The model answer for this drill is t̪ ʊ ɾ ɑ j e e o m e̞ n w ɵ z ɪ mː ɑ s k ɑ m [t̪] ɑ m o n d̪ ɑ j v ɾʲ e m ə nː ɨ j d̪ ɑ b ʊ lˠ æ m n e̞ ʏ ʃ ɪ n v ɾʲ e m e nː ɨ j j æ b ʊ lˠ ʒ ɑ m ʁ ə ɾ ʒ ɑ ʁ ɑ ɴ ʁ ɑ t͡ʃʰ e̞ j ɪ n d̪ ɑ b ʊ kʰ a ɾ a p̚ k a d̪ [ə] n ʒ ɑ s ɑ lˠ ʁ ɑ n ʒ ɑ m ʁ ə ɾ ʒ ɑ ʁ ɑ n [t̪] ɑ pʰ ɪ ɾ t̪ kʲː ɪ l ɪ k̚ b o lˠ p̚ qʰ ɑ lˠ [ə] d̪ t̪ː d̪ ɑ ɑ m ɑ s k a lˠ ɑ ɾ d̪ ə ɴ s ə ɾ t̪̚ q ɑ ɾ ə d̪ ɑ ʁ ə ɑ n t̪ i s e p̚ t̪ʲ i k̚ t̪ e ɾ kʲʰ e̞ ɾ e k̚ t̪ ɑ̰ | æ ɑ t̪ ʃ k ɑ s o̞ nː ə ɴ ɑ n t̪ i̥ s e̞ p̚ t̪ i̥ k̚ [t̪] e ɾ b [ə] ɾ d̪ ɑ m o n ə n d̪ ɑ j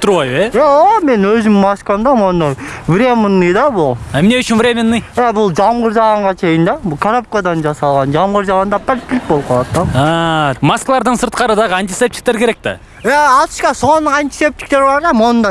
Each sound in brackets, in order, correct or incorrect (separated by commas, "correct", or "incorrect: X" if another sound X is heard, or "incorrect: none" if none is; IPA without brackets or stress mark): incorrect: d̪, incorrect: ɑ, incorrect: d̪, incorrect: ɑ, correct, incorrect: ɑ